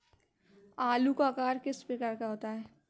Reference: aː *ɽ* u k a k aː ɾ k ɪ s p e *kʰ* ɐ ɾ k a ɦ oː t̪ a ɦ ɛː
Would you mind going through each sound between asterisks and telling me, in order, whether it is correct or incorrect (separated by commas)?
incorrect, incorrect